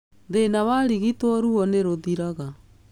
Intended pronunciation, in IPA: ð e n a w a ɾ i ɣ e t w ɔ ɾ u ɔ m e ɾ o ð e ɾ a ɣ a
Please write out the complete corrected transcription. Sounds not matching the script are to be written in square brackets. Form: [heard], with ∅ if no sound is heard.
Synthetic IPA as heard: ð e n a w a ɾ i ɣ [i] t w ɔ ɾ u ɔ [n] e ɾ o ð [i] ɾ a ɣ a